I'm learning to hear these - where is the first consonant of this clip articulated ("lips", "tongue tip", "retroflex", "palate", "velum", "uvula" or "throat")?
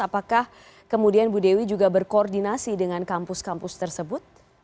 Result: lips